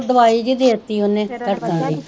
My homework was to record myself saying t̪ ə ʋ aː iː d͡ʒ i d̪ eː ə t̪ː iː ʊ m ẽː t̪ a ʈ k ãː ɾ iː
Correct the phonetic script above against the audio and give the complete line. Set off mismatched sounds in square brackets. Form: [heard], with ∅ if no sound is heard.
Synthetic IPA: [d̪] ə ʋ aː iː d͡ʒ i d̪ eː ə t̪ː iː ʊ [n] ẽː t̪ [ə] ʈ k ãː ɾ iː